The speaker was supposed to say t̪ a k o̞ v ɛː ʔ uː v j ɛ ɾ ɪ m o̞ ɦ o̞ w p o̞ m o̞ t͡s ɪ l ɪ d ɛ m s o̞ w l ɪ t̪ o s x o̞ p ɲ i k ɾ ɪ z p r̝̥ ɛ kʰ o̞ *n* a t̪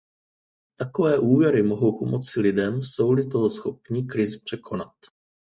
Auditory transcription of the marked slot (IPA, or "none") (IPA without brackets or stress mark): n